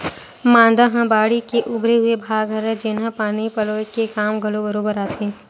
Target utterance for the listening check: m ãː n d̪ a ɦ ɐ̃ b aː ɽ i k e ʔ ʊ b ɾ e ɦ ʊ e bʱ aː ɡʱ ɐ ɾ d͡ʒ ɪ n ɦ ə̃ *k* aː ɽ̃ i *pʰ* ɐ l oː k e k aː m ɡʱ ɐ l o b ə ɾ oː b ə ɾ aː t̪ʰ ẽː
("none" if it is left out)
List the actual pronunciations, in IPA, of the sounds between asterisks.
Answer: p, p

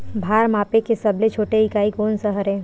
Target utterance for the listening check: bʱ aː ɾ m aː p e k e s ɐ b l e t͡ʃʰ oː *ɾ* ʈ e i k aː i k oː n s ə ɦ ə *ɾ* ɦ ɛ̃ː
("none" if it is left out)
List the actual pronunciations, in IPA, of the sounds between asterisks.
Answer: none, ɾ

